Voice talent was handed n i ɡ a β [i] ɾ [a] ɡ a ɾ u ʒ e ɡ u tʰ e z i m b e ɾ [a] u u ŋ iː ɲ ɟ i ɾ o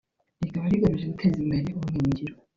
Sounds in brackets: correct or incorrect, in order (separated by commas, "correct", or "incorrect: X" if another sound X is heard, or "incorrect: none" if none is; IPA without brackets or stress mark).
incorrect: a, incorrect: i, incorrect: e